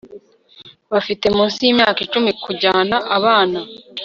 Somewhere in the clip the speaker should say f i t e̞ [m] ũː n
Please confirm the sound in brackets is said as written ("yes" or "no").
yes